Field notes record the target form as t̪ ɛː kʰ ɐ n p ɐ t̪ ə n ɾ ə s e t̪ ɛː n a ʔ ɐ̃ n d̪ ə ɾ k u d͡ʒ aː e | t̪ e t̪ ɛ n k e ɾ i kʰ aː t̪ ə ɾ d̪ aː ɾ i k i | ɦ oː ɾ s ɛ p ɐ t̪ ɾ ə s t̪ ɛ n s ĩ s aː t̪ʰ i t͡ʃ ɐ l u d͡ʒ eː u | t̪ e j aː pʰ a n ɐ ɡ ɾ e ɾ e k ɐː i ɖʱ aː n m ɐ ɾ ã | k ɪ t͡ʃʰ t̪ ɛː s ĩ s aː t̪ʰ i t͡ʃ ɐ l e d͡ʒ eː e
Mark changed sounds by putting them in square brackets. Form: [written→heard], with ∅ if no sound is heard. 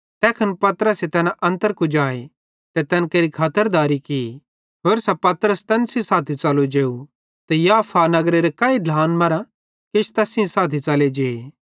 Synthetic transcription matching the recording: t̪ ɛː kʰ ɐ n p ɐ t̪ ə [n→∅] ɾ ə s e t̪ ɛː n a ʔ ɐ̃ n [d̪→t̪] ə ɾ k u d͡ʒ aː e | t̪ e t̪ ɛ n k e ɾ i kʰ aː t̪ ə ɾ d̪ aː ɾ i k i | ɦ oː ɾ s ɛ p ɐ t̪ ɾ ə s t̪ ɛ n s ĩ s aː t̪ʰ i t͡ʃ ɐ l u d͡ʒ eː u | t̪ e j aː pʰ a n ɐ ɡ ɾ e ɾ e k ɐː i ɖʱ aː n m ɐ ɾ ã | k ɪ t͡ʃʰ t̪ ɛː s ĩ s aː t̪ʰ i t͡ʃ ɐ l e d͡ʒ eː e